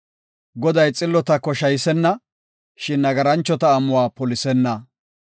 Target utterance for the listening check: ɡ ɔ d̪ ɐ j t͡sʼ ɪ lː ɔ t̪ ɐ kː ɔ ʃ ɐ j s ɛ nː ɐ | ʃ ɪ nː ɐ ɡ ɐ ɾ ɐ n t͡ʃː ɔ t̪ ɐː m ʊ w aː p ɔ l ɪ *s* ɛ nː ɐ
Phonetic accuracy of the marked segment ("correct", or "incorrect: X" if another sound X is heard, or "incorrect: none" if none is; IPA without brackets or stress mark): correct